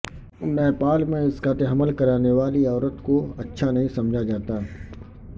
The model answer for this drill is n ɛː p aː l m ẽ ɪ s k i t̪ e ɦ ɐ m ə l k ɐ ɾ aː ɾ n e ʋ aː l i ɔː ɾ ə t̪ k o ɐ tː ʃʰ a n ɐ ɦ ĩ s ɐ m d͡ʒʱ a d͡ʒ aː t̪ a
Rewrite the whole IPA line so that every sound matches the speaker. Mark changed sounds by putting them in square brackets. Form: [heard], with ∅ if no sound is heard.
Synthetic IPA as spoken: n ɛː p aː l m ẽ ɪ s k [a] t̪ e ɦ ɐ m ə l k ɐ ɾ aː [∅] n e ʋ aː l i ɔː ɾ ə t̪ k o ɐ tː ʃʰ a n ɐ ɦ ĩ s ɐ m d͡ʒʱ a d͡ʒ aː t̪ a